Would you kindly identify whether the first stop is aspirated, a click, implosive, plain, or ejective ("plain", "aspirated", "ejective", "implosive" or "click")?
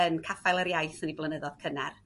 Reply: aspirated